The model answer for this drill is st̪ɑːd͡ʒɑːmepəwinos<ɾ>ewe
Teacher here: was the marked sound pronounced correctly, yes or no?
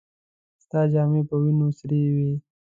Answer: yes